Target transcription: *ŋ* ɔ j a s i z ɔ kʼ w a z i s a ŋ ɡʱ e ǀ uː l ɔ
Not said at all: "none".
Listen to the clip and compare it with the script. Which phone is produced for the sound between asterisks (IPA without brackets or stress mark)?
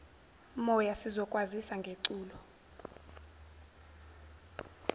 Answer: m